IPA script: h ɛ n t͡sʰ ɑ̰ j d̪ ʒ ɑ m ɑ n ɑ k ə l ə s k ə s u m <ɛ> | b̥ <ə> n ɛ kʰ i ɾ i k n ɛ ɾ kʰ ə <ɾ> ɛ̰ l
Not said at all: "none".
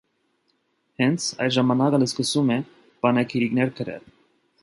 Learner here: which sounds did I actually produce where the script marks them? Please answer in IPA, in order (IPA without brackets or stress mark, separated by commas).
ɛ, ɑ, ɾ